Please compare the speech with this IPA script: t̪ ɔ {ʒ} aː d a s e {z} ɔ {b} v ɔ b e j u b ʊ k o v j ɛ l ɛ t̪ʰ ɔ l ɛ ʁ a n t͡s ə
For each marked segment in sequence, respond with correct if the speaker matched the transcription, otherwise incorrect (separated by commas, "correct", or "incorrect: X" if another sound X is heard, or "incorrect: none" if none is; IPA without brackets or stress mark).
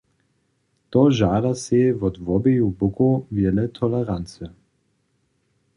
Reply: correct, incorrect: v, incorrect: d